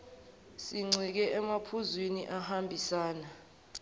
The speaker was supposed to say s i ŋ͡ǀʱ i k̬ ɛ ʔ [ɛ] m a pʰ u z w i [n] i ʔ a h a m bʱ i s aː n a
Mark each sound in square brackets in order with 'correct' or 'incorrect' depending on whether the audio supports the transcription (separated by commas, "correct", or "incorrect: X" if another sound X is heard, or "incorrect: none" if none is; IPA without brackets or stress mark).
correct, correct